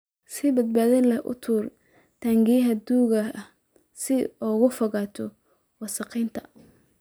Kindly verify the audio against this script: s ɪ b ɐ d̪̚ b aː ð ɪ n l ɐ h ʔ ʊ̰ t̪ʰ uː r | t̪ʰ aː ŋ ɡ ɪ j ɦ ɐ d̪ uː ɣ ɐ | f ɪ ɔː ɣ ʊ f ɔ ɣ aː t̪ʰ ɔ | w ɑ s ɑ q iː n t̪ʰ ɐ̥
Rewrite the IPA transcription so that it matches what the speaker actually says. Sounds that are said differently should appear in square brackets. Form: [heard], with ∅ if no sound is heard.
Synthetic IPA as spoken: s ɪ b ɐ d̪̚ b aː ð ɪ n l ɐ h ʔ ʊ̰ t̪ʰ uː r | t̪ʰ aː ŋ ɡ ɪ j ɦ ɐ d̪ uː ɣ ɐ | [s] ɪ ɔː ɣ ʊ f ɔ ɣ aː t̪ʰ ɔ | w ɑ s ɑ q iː n t̪ʰ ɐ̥